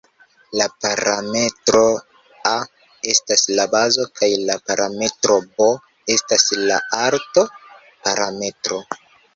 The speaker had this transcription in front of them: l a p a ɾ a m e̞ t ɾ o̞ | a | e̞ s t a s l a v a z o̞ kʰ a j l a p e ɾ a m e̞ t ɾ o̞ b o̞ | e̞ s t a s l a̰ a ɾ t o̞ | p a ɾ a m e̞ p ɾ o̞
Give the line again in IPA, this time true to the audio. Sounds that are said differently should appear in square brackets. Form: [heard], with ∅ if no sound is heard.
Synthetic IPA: l a p a ɾ a m e̞ t ɾ o̞ | a | e̞ s t a s l a [b] a z o̞ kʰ a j l a p [a] ɾ a m e̞ t ɾ o̞ b o̞ | e̞ s t a s l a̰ a ɾ t o̞ | p a ɾ a m e̞ [t] ɾ o̞